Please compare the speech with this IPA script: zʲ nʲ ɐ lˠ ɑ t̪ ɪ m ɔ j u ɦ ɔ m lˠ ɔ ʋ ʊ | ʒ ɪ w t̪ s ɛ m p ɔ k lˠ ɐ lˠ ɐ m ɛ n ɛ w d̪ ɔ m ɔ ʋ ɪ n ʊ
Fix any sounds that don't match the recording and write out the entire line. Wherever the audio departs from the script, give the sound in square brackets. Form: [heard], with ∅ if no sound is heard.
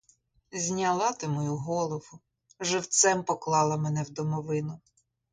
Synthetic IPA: zʲ nʲ ɐ lˠ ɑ t̪ ɪ m ɔ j u ɦ ɔ [∅] lˠ ɔ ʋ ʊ | ʒ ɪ w t̪ s ɛ m p ɔ k lˠ [ɑ] lˠ ɐ m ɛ n ɛ w d̪ ɔ m ɔ ʋ ɪ n ʊ